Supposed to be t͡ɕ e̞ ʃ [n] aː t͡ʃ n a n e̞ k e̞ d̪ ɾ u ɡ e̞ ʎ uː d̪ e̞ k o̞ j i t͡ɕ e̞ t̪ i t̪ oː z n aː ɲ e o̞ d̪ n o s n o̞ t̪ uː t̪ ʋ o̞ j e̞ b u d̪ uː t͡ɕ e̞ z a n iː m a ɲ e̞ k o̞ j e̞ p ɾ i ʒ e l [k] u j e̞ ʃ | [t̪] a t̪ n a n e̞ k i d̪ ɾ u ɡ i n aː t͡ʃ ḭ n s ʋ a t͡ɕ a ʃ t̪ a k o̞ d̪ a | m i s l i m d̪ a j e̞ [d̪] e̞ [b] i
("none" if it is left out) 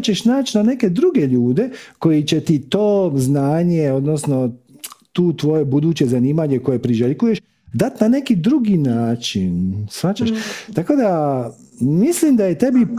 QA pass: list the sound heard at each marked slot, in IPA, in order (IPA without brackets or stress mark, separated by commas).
n, k, d̪, t̪, b